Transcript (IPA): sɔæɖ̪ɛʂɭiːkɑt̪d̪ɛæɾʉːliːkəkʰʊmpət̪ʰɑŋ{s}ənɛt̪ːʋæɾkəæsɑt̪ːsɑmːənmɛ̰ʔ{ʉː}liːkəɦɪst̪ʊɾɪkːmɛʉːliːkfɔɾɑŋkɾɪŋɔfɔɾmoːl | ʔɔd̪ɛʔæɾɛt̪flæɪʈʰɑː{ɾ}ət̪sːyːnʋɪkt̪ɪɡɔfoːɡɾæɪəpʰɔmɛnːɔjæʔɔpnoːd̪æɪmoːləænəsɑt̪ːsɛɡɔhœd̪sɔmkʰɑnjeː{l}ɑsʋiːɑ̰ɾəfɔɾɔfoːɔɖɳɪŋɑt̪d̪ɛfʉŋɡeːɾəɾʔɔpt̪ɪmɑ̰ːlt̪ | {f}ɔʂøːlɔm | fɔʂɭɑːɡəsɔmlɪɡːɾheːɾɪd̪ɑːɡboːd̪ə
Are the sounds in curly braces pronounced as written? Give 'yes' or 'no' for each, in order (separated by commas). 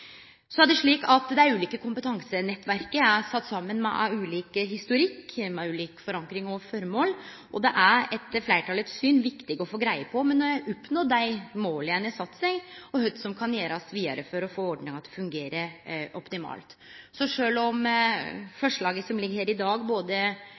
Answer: yes, yes, no, no, no